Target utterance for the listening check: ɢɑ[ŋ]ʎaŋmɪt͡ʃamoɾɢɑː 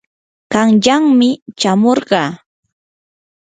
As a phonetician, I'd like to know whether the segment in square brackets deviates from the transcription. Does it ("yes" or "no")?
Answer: no